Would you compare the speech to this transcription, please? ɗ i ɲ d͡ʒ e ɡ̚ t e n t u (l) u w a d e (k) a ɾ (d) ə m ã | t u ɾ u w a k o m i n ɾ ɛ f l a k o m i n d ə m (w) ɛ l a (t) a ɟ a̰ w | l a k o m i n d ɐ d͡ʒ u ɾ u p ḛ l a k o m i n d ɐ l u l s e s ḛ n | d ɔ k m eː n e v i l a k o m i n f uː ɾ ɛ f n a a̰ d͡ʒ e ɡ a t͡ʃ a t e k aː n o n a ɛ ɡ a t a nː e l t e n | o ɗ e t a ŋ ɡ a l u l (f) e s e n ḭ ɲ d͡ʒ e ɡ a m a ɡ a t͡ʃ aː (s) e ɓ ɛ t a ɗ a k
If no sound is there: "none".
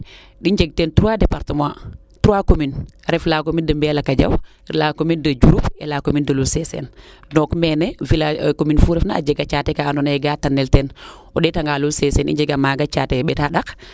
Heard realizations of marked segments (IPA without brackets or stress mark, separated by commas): ɾ, p, t, b, k, s, t